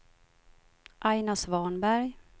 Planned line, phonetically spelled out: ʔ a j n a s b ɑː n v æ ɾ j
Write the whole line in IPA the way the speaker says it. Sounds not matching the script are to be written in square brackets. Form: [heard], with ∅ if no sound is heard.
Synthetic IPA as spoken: ʔ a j n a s [v] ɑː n [b] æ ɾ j